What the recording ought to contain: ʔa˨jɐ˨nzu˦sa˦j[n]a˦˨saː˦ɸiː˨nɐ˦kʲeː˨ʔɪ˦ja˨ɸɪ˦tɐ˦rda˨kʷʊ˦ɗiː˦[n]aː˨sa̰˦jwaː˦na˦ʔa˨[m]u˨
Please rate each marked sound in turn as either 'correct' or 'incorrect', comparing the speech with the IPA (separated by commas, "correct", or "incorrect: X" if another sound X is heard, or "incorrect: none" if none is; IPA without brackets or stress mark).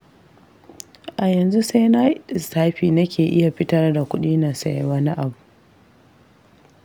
correct, correct, incorrect: b